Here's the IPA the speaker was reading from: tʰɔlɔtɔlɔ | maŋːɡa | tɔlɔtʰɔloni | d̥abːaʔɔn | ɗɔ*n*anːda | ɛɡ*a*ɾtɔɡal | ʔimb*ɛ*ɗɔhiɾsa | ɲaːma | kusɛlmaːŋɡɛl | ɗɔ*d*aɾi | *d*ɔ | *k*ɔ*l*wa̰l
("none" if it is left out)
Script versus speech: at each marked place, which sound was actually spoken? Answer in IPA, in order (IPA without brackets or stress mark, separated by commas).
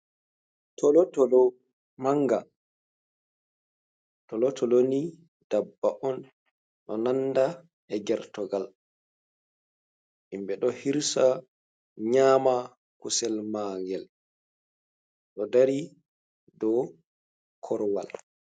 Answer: n, ɛ, ɛ, d, d, kʰ, ɾ